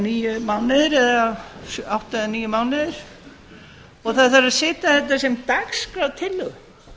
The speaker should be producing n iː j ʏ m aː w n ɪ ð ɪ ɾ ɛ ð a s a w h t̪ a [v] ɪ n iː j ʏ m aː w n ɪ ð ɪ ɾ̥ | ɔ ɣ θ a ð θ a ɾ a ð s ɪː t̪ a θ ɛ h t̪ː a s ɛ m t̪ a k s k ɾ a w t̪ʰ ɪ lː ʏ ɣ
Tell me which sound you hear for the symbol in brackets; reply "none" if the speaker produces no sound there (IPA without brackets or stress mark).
ð